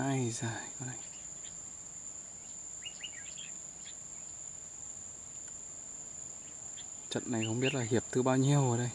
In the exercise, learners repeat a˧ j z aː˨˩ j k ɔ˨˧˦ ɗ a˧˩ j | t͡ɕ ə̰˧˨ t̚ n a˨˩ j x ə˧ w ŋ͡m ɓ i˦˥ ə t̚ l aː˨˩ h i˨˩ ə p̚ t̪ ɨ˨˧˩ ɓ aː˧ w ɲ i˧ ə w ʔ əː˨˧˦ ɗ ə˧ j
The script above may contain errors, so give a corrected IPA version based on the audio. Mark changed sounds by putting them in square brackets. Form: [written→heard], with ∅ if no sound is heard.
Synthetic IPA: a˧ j z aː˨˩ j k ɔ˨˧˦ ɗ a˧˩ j | t͡ɕ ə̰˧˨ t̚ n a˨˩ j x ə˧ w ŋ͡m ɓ i˦˥ ə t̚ l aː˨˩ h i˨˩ ə p̚ t̪ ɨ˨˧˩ ɓ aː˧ w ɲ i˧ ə w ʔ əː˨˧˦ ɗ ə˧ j